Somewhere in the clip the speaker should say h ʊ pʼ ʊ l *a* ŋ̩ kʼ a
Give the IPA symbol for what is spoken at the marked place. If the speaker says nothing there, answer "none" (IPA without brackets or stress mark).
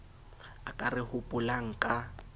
a